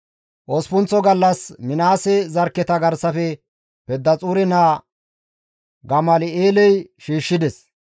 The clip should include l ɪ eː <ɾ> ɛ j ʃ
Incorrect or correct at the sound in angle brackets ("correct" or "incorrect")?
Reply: incorrect